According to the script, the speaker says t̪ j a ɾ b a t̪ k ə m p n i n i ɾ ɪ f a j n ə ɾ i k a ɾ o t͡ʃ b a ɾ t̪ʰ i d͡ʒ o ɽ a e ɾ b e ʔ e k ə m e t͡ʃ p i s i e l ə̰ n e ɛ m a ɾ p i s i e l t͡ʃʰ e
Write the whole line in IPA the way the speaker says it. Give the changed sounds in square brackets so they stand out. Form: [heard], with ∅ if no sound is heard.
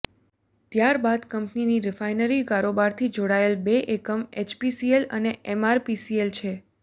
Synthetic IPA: t̪ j a ɾ b a [d̪] k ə m p n i n i ɾ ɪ f a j n ə ɾ i k a ɾ o [∅] b a ɾ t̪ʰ i d͡ʒ o ɽ a e [l] b e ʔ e k ə m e t͡ʃ p i s i e l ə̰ n e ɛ m a ɾ p i s i e l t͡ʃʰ e